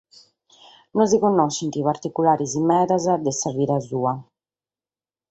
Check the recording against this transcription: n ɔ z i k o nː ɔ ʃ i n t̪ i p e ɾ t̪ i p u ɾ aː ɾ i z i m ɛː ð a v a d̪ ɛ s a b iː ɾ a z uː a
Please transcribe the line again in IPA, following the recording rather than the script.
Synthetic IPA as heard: n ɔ z i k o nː ɔ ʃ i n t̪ i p a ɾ t̪ i k u l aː ɾ i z i m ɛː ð a z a d̪ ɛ s a v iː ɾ a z uː a